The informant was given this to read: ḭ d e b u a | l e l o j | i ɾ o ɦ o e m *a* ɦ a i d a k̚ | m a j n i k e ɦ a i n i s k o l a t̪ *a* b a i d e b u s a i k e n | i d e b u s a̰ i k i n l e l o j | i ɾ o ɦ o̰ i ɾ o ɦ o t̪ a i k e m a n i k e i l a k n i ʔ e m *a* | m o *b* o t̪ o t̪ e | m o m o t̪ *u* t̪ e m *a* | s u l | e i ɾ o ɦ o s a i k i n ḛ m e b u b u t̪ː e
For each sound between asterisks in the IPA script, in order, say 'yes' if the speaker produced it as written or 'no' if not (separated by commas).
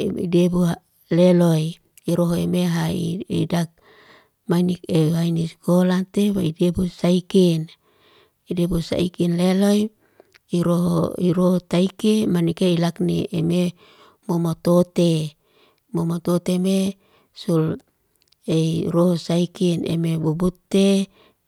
no, no, no, no, no, no